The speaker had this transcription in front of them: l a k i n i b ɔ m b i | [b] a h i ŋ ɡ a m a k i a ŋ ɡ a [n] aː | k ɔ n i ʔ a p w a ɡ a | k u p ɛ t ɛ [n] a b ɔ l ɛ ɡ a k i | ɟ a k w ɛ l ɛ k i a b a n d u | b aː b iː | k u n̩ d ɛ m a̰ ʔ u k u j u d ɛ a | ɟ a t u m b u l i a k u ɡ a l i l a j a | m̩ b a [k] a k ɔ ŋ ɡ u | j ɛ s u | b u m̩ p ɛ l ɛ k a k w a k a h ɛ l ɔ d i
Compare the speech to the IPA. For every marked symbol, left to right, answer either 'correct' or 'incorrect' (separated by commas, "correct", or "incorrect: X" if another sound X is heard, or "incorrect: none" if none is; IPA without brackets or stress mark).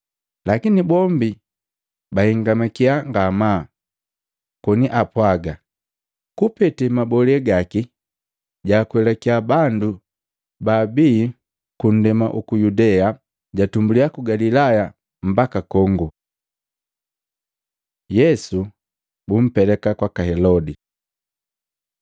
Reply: correct, incorrect: m, incorrect: m, correct